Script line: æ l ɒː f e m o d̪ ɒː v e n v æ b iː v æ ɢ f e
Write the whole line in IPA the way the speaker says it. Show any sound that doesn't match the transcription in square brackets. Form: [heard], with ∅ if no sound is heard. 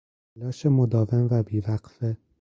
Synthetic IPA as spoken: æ l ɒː [ʃ] e m o d̪ ɒː v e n v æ b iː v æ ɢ f e